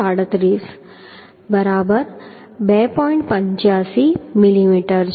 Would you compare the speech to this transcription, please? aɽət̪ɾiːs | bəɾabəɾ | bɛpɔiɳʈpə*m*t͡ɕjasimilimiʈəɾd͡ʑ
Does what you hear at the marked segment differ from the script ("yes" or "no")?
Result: yes